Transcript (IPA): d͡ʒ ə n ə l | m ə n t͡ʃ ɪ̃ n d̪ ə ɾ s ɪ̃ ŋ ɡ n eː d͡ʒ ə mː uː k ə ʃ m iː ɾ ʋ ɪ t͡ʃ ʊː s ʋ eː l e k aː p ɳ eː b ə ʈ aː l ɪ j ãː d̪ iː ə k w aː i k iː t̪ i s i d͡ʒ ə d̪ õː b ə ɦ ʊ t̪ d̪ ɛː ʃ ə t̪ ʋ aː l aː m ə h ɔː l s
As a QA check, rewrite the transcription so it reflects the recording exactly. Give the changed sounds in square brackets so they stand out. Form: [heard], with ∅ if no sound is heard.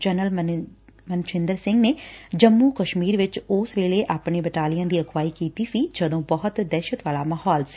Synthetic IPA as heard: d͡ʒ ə n ə l | m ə n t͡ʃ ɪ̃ n d̪ ə ɾ s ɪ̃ ŋ ɡ n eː d͡ʒ ə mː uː k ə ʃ m iː ɾ ʋ ɪ t͡ʃ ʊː s ʋ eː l e [ʔ] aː p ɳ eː b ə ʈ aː l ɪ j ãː d̪ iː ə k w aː i k iː t̪ i s i d͡ʒ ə d̪ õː b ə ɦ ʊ t̪ d̪ ɛː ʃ ə t̪ ʋ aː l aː m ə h ɔː l s